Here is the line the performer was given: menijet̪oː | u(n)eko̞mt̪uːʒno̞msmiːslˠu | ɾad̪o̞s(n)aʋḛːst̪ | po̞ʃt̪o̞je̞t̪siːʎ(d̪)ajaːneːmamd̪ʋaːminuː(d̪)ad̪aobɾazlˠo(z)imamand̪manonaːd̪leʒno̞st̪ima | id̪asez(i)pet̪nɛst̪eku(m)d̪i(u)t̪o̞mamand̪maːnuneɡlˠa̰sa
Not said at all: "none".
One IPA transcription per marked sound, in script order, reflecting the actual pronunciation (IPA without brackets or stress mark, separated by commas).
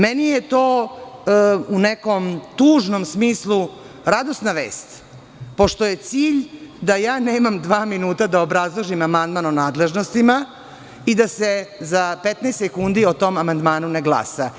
n, n, d̪, t̪, ʒ, a, n, o